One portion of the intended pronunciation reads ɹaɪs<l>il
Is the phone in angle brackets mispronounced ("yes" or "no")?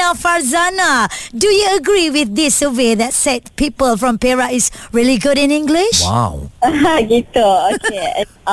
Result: yes